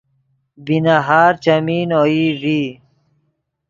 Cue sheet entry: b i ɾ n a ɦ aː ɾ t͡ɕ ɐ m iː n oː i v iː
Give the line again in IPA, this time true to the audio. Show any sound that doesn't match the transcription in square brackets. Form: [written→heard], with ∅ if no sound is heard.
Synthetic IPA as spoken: b i [ɾ→∅] n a ɦ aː ɾ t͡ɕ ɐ m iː n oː i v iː